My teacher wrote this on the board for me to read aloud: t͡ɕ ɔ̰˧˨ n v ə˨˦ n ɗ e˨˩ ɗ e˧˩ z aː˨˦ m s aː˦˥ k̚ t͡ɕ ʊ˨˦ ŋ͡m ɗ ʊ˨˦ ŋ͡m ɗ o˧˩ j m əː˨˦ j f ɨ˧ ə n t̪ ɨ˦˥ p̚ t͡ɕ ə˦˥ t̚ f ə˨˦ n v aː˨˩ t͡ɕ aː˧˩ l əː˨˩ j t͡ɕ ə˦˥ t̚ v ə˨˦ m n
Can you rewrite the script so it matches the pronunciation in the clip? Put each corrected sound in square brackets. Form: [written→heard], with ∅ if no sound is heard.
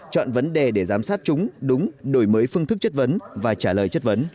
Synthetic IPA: t͡ɕ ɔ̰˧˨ n v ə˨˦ n ɗ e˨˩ ɗ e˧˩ z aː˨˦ m s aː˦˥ [k̚→t̚] t͡ɕ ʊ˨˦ ŋ͡m ɗ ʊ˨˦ ŋ͡m ɗ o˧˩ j m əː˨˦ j f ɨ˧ ə [n→ŋ] t̪ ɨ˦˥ [p̚→k̚] t͡ɕ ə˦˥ t̚ [f→v] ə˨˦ n v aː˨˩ t͡ɕ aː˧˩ l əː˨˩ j t͡ɕ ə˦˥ t̚ v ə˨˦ [m→∅] n